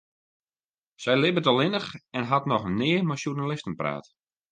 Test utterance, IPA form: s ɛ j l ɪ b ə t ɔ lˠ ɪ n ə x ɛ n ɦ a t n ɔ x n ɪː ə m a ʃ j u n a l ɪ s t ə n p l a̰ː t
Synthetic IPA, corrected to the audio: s ɛ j l ɪ b ə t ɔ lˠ ɪ n ə x ɛ n ɦ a t n ɔ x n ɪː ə m a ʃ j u n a l ɪ s t ə n p r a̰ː t